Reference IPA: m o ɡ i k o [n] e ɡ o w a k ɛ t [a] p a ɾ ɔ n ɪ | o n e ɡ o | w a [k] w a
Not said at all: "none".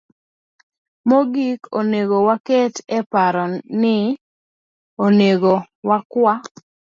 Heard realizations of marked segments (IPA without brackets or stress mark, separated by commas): n, ɛ, k